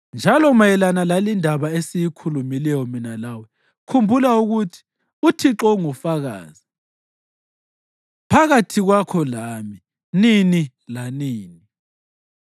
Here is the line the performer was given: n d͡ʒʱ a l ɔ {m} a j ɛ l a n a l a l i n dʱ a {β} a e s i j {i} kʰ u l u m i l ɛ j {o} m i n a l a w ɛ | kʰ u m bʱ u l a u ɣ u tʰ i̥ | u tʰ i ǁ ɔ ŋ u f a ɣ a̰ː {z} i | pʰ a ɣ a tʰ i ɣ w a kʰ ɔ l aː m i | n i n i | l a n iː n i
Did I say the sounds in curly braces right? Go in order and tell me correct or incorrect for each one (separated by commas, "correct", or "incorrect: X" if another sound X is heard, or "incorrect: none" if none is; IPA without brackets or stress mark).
correct, correct, correct, incorrect: ɔ, correct